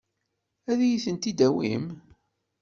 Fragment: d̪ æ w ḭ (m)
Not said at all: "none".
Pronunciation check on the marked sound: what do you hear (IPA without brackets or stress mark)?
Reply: m